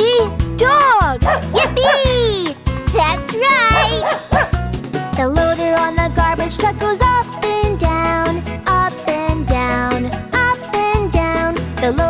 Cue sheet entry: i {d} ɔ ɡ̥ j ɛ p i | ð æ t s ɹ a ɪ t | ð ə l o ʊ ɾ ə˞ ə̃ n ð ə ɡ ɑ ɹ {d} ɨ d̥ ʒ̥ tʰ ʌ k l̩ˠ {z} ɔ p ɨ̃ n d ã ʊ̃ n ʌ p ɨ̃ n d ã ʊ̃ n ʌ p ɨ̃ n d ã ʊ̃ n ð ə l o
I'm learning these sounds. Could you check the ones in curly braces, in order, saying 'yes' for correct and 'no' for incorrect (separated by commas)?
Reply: yes, no, yes